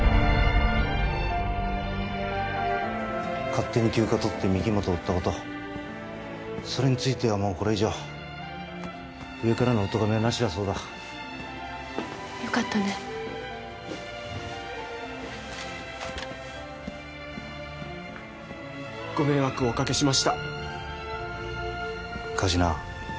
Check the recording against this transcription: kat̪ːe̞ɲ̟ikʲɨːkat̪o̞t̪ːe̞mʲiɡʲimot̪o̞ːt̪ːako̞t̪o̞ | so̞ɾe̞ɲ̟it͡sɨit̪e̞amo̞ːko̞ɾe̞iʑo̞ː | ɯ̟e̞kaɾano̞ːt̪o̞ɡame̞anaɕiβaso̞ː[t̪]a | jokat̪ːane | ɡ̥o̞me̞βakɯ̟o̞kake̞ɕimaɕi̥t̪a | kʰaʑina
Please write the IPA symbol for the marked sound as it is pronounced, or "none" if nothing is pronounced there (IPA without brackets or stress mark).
d̪